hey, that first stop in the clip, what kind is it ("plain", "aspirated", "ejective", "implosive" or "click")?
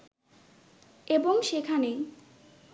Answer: plain